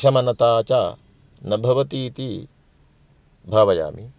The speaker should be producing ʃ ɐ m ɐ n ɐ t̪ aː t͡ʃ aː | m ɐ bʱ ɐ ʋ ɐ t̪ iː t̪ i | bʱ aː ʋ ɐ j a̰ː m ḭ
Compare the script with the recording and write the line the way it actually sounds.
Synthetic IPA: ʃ ɐ m ɐ n ɐ t̪ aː t͡ʃ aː | n ɐ bʱ ɐ ʋ ɐ t̪ iː t̪ i | bʱ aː ʋ ɐ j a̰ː m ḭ